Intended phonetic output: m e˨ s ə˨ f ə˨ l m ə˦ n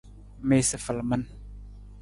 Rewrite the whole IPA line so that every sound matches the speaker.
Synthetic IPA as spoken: m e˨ s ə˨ f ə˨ l m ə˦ n